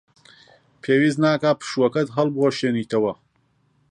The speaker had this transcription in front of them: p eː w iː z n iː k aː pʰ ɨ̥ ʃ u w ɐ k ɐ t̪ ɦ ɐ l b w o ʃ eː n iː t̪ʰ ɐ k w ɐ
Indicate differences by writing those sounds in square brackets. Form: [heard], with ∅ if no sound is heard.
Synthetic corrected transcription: [pʰ] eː w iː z n [aː] k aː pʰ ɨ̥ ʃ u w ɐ k ɐ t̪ ɦ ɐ l b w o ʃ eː n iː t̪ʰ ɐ [∅] w ɐ